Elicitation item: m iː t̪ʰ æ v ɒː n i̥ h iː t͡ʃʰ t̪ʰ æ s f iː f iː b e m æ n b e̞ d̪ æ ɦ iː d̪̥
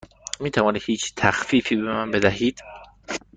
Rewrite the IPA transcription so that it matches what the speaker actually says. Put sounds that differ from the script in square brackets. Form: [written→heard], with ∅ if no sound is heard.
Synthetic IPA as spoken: m iː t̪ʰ æ v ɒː n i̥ h iː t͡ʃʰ t̪ʰ æ [s→x] f iː f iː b e m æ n b e̞ d̪ æ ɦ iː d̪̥